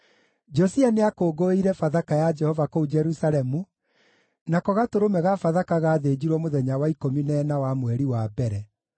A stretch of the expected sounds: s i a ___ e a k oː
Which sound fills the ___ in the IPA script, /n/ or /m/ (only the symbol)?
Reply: n